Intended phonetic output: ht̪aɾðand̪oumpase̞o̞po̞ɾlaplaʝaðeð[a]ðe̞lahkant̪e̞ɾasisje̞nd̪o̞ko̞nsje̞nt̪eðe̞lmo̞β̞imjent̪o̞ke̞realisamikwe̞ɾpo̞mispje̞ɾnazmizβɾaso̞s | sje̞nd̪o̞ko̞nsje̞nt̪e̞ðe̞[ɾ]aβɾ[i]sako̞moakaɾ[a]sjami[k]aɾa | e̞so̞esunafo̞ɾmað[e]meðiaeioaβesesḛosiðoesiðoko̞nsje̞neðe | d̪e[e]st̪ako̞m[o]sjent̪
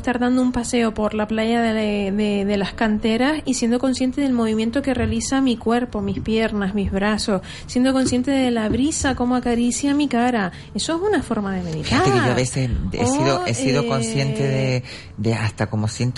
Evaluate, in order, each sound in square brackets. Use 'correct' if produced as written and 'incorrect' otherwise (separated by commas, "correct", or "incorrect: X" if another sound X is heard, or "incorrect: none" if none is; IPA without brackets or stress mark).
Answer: incorrect: e, incorrect: l, correct, incorrect: i, correct, correct, incorrect: a, correct